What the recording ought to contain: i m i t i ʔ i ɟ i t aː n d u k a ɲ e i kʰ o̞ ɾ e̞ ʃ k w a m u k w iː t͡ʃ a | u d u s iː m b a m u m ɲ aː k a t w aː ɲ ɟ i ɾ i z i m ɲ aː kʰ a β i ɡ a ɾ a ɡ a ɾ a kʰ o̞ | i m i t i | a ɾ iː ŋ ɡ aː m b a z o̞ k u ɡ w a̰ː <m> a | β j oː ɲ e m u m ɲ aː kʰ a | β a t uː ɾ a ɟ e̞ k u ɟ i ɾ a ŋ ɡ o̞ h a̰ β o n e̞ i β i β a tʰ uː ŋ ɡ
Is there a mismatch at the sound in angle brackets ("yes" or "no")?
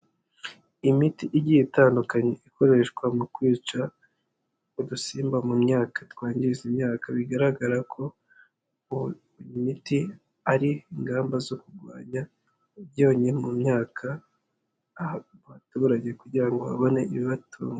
yes